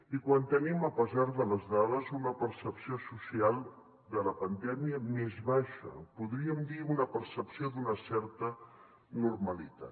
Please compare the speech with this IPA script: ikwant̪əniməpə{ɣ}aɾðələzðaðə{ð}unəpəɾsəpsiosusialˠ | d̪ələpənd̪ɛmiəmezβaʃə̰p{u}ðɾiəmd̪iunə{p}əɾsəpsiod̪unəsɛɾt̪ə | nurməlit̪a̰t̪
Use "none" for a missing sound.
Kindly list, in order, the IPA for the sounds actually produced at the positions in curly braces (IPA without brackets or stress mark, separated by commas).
z, z, u, p